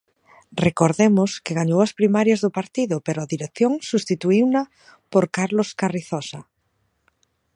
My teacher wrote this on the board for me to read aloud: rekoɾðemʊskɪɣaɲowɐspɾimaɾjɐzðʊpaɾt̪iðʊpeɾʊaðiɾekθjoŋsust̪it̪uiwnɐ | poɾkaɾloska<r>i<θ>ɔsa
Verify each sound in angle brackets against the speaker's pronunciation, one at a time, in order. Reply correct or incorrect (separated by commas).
correct, correct